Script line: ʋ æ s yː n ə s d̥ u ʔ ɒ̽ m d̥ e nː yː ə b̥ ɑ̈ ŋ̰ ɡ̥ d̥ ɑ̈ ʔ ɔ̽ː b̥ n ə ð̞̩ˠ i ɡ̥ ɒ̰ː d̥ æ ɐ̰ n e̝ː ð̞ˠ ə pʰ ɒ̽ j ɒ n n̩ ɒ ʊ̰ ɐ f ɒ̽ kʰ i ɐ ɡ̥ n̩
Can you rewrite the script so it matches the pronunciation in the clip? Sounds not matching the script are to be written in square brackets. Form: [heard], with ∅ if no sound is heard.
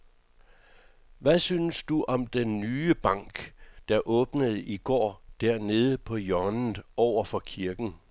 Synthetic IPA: ʋ æ s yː n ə s d̥ u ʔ ɒ̽ m d̥ e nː yː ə b̥ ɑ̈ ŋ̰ ɡ̥ d̥ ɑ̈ ʔ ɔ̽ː b̥ n ə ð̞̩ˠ i ɡ̥ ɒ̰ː d̥ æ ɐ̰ n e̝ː ð̞ˠ ə pʰ ɒ̽ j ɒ n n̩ ɒ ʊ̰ ɐ f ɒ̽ kʰ i ɐ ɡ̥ n̩